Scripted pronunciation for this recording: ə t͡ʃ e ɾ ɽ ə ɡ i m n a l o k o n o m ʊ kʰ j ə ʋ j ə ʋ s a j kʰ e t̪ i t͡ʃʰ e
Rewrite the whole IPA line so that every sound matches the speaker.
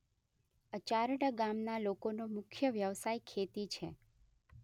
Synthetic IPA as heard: ə t͡ʃ a ɾ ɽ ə ɡ a m n a l o k o n o m ʊ kʰ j ə ʋ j ə ʋ s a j kʰ e t̪ i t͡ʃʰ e

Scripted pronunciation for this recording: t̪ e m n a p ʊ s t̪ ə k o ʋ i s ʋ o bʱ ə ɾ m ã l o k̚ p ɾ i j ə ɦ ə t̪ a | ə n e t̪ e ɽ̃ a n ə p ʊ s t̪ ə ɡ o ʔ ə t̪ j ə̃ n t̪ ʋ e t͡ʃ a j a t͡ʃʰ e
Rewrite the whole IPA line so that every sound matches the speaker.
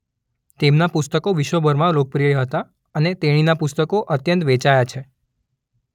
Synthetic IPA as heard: t̪ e m n a p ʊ s t̪ ə k o ʋ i ʃ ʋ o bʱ ə ɾ m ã l o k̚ p ɾ i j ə ɦ ə t̪ a | ə n e t̪ e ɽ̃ i n a p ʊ s t̪ ə k o ʔ ə t̪ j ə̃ n t̪ ʋ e t͡ʃ a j a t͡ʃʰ e

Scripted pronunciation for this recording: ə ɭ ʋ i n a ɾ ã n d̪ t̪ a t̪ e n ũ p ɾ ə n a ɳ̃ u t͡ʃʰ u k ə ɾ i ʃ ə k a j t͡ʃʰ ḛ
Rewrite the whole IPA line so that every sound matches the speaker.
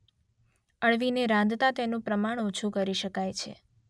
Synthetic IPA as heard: ə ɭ ʋ i n e ɾ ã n d̪ t̪ a t̪ e n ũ p ɾ ə m a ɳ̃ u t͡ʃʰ u k ə ɾ i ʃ ə k a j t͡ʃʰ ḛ

